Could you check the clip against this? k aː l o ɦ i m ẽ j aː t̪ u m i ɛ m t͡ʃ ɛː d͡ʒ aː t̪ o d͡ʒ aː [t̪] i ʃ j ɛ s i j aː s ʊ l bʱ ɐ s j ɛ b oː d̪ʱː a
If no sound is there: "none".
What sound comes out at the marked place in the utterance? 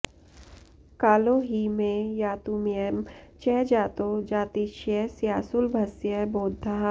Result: t̪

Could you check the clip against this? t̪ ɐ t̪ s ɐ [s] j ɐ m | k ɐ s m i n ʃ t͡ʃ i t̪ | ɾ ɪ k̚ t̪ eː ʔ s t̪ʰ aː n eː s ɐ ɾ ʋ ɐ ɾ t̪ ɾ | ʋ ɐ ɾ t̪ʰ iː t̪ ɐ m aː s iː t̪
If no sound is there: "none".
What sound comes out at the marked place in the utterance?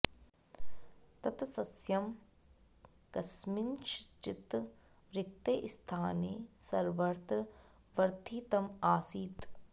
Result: s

